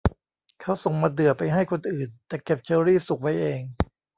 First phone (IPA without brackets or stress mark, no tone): kʰ